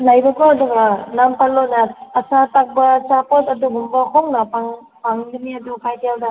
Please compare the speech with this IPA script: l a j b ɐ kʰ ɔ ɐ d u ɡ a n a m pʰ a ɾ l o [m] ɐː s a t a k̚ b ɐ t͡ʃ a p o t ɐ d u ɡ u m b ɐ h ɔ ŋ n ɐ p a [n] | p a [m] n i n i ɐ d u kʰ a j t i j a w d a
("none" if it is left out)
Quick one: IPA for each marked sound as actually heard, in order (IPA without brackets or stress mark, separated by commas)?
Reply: n, ŋ, ŋ